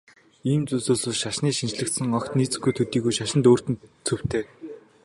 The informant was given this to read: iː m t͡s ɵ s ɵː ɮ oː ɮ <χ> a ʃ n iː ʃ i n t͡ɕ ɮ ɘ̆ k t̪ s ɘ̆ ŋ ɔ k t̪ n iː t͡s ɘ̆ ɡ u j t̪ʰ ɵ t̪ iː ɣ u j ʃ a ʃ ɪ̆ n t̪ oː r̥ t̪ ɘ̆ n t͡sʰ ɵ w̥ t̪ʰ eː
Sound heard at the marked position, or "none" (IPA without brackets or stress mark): ʃ